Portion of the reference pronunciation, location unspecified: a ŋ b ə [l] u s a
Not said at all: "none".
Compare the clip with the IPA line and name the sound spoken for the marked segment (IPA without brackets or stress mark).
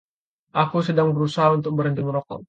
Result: ɾ